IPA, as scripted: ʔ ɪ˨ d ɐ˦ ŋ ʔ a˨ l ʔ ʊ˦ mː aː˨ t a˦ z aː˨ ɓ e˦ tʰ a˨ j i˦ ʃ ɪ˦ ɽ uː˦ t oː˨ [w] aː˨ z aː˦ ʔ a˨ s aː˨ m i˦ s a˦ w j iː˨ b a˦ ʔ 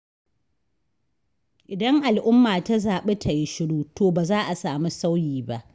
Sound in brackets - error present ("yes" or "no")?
yes